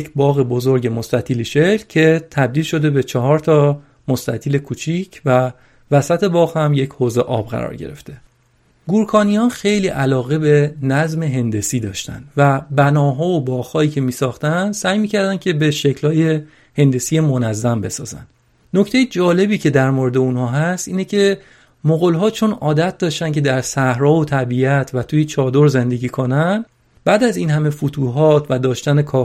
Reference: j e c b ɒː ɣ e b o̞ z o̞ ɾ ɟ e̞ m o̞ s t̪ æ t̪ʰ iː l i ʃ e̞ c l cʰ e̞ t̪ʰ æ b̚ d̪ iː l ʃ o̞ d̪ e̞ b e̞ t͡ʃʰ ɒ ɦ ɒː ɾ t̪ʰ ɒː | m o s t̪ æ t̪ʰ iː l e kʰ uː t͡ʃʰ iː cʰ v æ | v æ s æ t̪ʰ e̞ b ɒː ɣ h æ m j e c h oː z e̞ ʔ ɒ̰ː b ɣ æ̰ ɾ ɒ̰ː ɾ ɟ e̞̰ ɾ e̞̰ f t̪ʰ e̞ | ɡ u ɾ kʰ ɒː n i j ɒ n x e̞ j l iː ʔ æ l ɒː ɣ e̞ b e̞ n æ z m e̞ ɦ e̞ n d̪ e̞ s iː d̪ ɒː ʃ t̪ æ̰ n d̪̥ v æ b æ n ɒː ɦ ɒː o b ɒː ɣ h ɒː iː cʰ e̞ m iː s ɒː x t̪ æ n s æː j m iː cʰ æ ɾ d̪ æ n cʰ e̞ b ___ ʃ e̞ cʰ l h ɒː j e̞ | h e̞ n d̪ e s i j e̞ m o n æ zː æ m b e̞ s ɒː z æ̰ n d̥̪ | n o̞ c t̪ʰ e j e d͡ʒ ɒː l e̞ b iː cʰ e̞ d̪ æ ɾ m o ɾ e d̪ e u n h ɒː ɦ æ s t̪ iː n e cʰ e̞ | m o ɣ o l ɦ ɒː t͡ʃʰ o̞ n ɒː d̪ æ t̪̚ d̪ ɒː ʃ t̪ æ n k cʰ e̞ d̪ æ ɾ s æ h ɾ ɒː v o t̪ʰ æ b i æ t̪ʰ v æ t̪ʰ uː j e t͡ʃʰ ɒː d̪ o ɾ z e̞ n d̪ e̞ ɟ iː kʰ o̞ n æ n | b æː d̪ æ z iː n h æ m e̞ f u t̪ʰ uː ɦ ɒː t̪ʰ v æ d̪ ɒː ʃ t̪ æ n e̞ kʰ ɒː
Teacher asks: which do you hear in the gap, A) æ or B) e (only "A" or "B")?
B